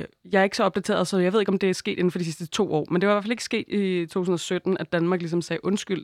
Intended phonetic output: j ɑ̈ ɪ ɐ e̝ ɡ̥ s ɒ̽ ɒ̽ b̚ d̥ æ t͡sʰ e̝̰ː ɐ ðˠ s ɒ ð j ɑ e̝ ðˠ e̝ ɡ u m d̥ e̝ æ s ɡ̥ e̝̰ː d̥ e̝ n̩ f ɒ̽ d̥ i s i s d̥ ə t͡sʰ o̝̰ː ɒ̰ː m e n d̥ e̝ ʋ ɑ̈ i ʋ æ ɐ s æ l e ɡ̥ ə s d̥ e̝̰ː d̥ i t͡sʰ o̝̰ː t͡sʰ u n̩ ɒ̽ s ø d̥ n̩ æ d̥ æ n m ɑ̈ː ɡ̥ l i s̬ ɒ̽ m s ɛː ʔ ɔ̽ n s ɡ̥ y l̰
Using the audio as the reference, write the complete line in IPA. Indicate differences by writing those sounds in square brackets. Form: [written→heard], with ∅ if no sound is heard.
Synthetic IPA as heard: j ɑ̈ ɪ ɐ e̝ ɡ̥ s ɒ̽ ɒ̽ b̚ d̥ æ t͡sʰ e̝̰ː ɐ ðˠ s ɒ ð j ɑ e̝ ðˠ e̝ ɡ [u→ɒ] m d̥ e̝ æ s ɡ̥ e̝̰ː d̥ e̝ n̩ f ɒ̽ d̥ i s i s d̥ ə t͡sʰ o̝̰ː ɒ̰ː m e n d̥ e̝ ʋ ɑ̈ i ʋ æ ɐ [s→f] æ l e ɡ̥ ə s [d̥→ɡ̥] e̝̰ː d̥ i t͡sʰ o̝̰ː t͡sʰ u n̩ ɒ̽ s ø d̥ n̩ æ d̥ æ n m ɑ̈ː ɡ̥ l i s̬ ɒ̽ m s ɛː ʔ ɔ̽ n s ɡ̥ y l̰